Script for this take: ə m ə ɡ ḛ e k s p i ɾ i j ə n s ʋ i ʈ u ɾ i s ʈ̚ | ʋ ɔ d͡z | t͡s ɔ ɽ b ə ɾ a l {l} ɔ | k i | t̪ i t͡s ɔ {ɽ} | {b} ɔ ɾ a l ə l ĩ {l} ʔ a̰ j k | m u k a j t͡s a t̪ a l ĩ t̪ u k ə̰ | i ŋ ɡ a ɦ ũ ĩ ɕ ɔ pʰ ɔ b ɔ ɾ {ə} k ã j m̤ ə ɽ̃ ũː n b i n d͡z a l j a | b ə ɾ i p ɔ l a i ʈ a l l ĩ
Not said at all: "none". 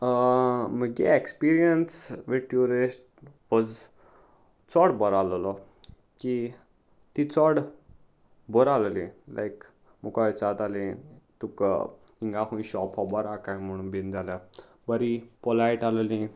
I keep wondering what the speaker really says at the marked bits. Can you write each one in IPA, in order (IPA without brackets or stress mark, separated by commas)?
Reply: l, ɽ, b, l, a